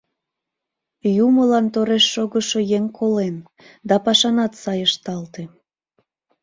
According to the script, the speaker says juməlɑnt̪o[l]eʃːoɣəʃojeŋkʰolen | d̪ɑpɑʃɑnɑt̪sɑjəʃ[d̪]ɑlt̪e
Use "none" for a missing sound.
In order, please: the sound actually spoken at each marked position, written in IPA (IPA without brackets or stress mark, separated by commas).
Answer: ɾ, t̪